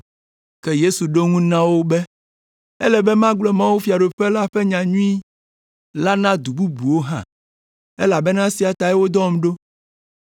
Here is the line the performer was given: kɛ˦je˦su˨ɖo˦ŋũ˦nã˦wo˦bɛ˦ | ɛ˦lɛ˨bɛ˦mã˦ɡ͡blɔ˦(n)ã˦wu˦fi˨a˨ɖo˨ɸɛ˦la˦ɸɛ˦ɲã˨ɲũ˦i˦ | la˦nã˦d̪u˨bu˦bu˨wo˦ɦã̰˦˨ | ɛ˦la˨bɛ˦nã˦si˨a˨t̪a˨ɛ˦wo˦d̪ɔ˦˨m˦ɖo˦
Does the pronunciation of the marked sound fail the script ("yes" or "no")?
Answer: yes